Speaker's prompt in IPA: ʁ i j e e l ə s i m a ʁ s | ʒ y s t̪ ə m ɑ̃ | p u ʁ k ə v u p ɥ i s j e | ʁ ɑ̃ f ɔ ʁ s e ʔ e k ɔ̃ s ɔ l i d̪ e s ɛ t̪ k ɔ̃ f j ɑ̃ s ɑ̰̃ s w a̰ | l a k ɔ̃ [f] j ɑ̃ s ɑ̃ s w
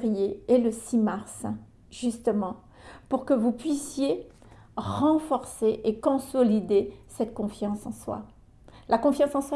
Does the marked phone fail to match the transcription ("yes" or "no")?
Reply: no